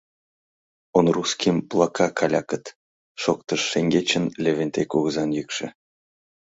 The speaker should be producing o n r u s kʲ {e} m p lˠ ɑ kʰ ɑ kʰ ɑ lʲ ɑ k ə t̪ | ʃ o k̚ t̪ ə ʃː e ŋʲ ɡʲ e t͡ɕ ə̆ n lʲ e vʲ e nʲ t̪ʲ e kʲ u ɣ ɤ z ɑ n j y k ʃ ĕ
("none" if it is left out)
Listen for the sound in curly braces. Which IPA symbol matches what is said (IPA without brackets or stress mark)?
i